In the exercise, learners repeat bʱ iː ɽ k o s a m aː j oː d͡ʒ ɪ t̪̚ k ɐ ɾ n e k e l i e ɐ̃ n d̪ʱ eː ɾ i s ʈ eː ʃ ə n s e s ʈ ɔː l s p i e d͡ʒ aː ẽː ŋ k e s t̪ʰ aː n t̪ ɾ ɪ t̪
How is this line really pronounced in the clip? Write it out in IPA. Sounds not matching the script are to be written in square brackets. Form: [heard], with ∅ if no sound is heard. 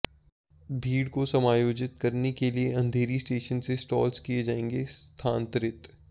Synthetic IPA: bʱ iː ɽ k o s [ɐ] m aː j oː d͡ʒ ɪ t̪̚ k ɐ ɾ n e k e l i e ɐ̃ n d̪ʱ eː ɾ i s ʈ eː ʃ ə n s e s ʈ ɔː l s [k] i e d͡ʒ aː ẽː ŋ [ɡ] e s t̪ʰ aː n t̪ ɾ ɪ t̪